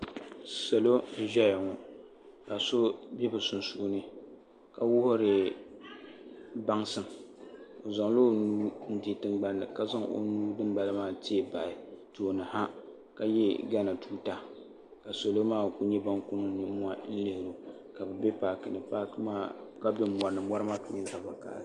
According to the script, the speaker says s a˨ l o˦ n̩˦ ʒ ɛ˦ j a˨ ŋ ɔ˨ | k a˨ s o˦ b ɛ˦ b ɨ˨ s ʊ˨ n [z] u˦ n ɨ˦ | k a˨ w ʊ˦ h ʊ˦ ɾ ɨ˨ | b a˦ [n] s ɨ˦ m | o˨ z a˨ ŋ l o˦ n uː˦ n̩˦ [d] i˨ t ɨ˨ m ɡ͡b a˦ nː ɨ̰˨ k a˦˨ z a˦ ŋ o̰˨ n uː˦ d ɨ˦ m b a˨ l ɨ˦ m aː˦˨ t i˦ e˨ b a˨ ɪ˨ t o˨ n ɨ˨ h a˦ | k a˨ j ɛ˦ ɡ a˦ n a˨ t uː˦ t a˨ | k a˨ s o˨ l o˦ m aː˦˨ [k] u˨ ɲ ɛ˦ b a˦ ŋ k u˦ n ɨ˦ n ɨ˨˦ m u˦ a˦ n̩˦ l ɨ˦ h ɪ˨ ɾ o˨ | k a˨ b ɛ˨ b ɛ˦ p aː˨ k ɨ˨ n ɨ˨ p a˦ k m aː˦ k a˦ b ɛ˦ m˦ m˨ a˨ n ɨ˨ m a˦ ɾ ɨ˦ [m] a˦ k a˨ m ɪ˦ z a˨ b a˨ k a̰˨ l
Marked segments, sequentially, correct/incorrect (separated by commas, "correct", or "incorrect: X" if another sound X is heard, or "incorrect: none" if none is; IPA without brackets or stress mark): incorrect: s, incorrect: ŋ, correct, correct, correct